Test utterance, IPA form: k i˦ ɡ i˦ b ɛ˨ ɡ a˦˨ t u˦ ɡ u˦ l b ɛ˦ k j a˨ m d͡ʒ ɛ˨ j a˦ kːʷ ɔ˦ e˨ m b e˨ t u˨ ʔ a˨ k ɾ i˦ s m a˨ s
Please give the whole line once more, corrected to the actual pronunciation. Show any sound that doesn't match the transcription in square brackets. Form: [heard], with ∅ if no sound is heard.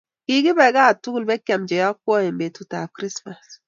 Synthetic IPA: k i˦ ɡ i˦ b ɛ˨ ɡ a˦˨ t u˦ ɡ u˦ l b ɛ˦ k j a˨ m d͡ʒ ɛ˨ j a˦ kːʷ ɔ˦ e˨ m b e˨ t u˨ [t] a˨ k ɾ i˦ s m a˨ s